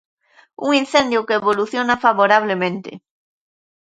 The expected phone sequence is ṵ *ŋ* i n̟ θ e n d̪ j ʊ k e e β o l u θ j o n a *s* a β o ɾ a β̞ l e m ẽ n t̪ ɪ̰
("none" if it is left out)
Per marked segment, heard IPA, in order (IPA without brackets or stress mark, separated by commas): ŋ, f